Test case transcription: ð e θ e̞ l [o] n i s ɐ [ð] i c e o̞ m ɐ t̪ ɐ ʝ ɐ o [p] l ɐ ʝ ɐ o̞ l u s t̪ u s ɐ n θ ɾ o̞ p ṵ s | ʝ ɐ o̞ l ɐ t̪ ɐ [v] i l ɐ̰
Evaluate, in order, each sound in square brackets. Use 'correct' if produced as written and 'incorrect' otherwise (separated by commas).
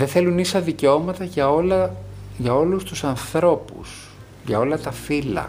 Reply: incorrect, correct, incorrect, incorrect